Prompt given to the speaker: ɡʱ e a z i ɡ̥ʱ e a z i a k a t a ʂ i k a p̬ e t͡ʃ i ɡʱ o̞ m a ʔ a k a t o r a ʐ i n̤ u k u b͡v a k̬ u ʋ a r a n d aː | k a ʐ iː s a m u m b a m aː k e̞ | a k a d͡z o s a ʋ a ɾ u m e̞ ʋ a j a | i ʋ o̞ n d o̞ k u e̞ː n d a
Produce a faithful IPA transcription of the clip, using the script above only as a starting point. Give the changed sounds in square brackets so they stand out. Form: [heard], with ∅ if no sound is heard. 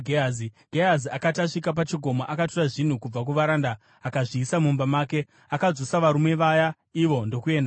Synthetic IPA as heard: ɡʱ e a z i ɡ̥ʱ e a z i a k a t a ʂ i k a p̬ [a] t͡ʃ i ɡʱ o̞ m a ʔ a k a t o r a ʐ i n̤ u k u b͡v a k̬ u ʋ a [ɾ] a n d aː | k a ʐ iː s a m u m b a m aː k e̞ | a k a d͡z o s a ʋ a ɾ u m e̞ ʋ a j a | i ʋ o̞ n d o̞ k u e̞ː n d a